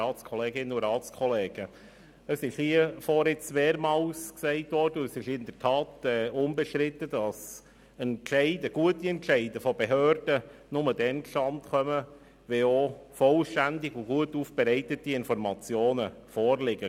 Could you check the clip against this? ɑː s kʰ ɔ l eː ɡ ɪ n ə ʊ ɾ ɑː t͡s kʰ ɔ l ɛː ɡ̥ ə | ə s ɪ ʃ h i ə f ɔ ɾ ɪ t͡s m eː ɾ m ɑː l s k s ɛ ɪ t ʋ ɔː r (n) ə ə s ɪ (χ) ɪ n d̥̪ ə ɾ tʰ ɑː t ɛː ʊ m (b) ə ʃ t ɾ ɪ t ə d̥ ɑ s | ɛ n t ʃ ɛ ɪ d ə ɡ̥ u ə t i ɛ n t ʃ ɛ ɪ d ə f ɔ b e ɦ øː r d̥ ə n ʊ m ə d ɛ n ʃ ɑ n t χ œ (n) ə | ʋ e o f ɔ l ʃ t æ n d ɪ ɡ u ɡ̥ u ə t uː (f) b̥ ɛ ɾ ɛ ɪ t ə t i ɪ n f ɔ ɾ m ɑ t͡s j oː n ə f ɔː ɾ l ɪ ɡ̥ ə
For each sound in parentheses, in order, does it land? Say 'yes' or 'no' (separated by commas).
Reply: no, no, yes, no, yes